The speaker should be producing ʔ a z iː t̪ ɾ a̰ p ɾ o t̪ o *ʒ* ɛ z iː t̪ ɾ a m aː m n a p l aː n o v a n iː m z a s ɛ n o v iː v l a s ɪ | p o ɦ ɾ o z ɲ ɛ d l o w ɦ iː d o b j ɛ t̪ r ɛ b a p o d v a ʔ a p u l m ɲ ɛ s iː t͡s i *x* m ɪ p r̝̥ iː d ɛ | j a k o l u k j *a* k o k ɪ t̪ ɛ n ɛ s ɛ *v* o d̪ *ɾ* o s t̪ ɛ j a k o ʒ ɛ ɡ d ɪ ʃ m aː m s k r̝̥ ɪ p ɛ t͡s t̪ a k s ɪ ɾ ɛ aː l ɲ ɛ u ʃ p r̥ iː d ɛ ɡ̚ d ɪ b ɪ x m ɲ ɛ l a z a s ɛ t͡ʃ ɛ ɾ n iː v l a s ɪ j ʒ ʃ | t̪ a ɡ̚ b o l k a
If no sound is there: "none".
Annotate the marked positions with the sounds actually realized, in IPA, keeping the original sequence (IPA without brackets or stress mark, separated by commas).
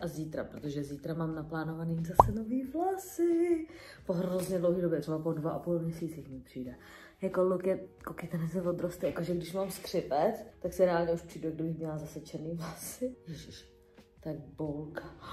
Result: ʒ, x, ɛ, v, ɾ